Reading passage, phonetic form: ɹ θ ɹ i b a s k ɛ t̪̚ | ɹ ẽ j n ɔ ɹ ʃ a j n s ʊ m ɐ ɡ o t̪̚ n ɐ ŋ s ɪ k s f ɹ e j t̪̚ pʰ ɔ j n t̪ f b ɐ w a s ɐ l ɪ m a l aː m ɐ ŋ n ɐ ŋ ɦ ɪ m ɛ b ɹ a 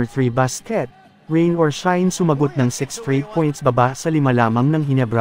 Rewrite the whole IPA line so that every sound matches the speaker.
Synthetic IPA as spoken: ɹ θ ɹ i b a s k ɛ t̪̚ | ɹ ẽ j n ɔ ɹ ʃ a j n s ʊ m ɐ ɡ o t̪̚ n ɐ ŋ s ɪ k s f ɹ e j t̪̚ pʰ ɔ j n t̪ s b ɐ b a s ɐ l ɪ m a l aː m ɐ ŋ n ɐ ŋ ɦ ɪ n ɛ b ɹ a